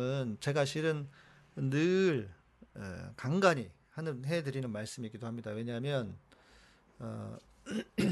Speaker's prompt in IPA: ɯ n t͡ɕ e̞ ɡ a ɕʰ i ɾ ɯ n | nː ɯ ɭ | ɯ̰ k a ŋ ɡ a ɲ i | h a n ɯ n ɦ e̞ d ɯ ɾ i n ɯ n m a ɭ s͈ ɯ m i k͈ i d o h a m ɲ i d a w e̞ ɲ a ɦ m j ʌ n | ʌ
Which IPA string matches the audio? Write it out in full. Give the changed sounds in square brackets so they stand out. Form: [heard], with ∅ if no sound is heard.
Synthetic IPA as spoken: ɯ n t͡ɕ e̞ ɡ a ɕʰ i ɾ ɯ n | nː ɯ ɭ | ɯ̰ k a ŋ ɡ a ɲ i | h a n ɯ n ɦ e̞ d ɯ ɾ i n ɯ n m a ɭ s͈ ɯ m i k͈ i d o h a m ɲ i d a w e̞ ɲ a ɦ m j ʌ n | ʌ